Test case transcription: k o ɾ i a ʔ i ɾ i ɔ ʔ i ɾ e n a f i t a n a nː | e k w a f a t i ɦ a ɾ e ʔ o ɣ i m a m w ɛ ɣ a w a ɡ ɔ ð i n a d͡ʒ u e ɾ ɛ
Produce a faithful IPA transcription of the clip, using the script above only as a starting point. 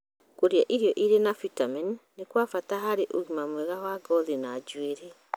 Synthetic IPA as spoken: k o ɾ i a ʔ i ɾ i ɔ ʔ i ɾ e n a f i t a m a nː | e k w a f a t a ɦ a ɾ e ʔ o ɣ i m a m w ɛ ɣ a w a ɡ ɔ ð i n a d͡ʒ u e ɾ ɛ